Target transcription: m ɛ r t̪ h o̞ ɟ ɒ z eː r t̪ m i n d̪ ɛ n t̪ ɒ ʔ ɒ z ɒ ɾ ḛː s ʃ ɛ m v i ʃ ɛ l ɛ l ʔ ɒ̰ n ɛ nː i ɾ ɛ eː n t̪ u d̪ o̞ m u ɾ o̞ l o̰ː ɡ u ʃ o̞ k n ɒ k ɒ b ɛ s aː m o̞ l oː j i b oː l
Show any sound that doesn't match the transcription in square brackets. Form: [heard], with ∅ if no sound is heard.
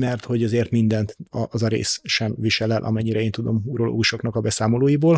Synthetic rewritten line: m ɛ r t̪ h o̞ ɟ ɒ z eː r t̪ m i n d̪ ɛ n t̪ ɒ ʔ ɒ z ɒ ɾ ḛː s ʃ ɛ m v i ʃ ɛ l ɛ l ʔ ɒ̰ [m] ɛ [ɲː] i ɾ ɛ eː n t̪ u d̪ o̞ m u ɾ o̞ l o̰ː ɡ u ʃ o̞ k n ɒ k ɒ b ɛ s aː m o̞ l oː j i b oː l